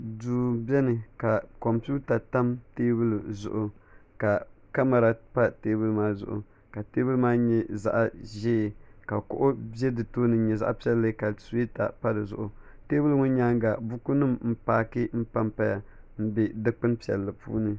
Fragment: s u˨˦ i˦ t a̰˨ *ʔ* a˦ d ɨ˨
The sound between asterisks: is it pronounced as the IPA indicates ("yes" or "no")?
no